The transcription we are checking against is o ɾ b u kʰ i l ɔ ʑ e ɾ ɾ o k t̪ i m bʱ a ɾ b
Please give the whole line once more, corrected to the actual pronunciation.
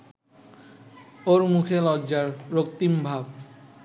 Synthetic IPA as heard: o ɾ m u kʰ e l ɔ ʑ a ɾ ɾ o k t̪ i m bʱ a b